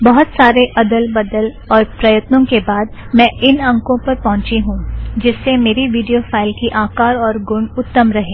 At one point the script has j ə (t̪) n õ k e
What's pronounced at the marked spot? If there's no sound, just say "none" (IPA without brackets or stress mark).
t̪